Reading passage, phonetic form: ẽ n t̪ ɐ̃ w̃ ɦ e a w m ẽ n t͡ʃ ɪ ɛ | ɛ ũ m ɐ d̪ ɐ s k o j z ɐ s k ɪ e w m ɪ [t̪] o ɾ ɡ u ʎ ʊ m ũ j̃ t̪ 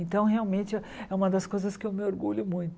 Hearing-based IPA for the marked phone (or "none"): none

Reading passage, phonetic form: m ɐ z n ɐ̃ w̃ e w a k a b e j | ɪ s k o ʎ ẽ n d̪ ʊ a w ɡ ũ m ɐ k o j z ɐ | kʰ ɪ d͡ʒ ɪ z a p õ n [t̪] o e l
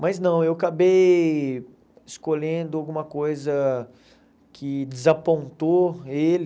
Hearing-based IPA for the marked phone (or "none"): t̪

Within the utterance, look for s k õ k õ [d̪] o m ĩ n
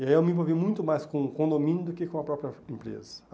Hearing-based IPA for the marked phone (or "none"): d̪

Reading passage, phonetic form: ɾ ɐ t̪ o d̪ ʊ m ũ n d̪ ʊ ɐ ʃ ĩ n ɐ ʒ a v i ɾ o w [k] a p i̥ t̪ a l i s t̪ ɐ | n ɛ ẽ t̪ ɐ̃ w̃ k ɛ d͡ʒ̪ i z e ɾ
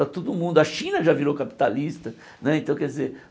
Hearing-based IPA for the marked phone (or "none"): k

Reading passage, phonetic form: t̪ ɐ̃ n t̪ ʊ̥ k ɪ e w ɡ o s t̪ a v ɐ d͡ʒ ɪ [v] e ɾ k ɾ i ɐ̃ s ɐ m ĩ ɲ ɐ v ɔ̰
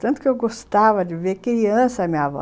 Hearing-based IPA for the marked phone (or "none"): v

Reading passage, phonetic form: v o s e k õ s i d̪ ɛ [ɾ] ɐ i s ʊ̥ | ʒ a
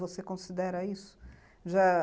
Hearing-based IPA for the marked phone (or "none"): ɾ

